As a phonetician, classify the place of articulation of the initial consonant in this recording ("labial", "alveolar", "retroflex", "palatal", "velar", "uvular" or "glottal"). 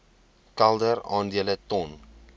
velar